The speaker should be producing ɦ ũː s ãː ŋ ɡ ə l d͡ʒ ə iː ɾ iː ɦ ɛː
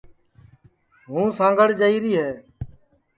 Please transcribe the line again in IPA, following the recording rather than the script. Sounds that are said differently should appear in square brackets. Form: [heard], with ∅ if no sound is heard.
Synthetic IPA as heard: ɦ ũː s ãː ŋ ɡ ə [ɽ] d͡ʒ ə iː ɾ iː ɦ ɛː